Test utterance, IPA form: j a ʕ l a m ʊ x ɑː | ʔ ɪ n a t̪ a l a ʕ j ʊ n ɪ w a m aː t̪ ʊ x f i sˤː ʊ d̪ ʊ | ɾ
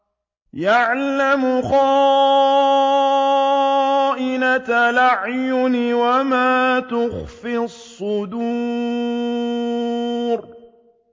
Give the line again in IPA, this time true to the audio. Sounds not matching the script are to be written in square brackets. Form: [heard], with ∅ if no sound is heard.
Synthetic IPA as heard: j a ʕ l a m ʊ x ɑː | ʔ ɪ n a t̪ a l a ʕ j ʊ n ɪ w a m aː t̪ ʊ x f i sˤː ʊ d̪ [u] | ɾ